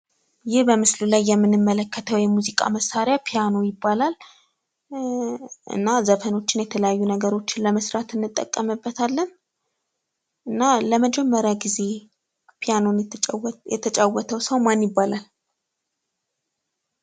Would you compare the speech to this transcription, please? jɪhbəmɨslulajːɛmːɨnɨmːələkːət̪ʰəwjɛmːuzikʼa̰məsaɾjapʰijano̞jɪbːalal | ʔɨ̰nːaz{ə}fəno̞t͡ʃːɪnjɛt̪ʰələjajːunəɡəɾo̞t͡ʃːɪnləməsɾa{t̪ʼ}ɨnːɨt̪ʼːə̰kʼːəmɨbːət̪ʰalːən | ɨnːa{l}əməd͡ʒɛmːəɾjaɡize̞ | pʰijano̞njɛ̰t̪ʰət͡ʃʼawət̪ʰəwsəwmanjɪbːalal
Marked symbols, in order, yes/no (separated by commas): yes, no, yes